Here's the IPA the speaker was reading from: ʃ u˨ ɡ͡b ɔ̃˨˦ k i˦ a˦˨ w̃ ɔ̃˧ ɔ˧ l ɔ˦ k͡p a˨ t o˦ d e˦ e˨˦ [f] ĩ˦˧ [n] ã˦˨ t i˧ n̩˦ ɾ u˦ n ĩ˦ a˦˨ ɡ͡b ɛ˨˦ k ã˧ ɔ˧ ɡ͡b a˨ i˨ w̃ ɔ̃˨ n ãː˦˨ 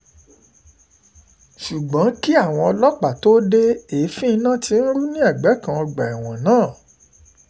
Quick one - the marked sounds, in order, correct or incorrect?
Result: correct, correct

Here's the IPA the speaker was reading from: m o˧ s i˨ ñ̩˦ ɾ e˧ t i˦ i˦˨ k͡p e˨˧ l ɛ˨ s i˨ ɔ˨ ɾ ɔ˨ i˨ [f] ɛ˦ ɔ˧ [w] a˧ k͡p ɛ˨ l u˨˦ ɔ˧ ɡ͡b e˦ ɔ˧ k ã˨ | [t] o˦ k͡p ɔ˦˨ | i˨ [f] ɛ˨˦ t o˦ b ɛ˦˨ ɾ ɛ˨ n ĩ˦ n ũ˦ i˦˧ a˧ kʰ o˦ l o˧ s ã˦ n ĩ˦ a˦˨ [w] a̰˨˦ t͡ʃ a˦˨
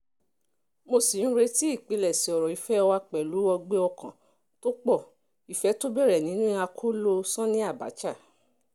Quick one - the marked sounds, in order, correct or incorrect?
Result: correct, correct, correct, correct, incorrect: b

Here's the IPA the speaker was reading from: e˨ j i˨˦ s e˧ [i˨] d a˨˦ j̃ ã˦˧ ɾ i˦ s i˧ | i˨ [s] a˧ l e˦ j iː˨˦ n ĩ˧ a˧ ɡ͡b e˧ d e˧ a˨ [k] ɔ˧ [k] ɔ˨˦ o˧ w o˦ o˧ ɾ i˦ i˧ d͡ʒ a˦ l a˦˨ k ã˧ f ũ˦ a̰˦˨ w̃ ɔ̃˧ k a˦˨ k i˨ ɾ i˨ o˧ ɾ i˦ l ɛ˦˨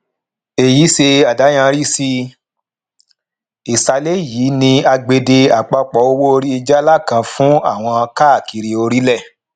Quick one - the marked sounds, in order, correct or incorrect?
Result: incorrect: a˨, correct, incorrect: k͡p, incorrect: k͡p

